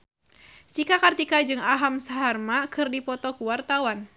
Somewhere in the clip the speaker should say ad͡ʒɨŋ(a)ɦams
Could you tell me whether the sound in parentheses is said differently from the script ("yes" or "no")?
no